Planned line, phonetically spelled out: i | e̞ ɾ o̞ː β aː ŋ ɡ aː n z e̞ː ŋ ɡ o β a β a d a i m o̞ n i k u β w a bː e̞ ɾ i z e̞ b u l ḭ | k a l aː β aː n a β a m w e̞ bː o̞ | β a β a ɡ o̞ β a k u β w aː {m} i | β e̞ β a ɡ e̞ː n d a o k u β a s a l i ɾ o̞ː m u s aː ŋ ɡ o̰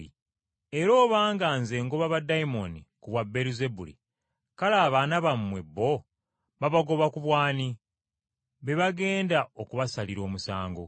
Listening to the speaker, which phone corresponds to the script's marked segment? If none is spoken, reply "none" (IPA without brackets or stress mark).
n